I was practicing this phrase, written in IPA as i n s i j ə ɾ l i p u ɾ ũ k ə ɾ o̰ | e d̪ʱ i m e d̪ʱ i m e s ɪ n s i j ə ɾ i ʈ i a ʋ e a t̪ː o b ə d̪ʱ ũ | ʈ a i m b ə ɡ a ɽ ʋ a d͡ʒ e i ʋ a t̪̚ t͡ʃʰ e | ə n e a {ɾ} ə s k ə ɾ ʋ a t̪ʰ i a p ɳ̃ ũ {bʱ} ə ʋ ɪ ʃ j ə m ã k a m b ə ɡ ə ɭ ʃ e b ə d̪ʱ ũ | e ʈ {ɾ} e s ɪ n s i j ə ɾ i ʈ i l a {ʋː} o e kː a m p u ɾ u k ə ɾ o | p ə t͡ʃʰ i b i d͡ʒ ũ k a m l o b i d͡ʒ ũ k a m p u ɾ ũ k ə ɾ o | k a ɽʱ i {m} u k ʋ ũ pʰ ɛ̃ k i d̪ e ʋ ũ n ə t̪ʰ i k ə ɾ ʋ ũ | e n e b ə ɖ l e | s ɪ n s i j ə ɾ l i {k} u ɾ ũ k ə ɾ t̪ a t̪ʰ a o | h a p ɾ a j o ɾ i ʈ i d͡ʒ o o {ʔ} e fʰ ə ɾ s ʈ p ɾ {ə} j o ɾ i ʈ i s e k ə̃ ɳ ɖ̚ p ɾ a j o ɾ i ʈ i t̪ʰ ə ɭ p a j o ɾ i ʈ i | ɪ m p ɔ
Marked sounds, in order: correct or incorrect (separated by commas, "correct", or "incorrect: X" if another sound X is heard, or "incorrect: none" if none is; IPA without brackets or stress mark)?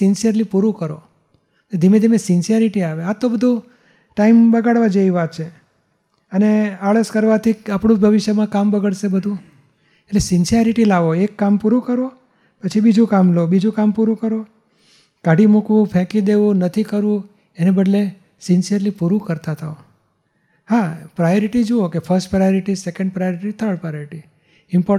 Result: incorrect: ɭ, correct, incorrect: l, incorrect: ʋ, correct, incorrect: p, incorrect: k, incorrect: a